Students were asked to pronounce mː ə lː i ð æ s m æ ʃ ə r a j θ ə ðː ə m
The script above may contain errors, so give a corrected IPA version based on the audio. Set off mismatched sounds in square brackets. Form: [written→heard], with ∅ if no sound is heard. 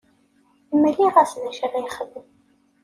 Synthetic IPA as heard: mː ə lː i [ð→ʁ] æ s [m→n] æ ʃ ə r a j [θ→χ] ə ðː ə m